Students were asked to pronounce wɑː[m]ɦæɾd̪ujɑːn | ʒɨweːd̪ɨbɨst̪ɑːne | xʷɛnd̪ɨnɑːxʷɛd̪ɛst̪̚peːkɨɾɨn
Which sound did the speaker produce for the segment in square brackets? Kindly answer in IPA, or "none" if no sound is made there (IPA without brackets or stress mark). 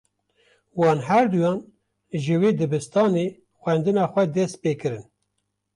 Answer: n